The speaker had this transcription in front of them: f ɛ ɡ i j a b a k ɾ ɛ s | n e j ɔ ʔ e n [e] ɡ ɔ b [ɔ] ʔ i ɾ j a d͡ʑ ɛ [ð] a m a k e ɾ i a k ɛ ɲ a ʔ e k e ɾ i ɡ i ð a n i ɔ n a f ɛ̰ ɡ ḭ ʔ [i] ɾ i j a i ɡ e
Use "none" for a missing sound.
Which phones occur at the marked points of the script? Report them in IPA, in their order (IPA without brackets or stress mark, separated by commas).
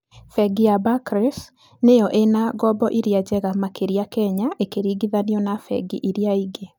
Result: a, ɔ, ɣ, i